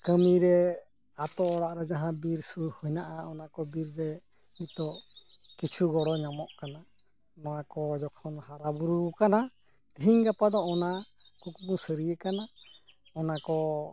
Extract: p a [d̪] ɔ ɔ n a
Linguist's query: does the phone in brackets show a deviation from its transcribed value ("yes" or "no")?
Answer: no